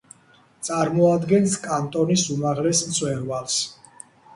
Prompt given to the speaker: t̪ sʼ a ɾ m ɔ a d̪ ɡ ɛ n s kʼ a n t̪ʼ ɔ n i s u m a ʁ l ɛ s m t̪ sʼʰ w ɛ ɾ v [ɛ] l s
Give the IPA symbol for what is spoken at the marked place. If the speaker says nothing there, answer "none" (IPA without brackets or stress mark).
a